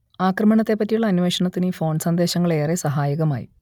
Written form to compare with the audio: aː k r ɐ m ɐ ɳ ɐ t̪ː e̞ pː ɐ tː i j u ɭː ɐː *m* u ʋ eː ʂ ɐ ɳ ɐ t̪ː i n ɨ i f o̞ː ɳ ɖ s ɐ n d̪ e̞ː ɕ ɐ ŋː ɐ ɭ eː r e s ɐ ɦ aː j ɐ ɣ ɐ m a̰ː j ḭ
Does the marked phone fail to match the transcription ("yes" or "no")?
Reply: yes